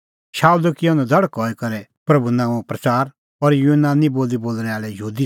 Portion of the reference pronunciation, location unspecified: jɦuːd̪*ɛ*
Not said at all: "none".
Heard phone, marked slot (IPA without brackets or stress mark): i